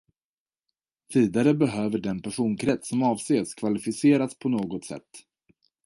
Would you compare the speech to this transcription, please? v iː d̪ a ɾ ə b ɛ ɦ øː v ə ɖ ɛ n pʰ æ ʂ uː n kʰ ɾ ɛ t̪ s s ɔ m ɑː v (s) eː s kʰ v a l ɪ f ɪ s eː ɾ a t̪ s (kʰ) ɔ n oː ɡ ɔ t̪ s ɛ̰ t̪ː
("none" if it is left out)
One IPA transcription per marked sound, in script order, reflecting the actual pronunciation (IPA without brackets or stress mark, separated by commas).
s, pʰ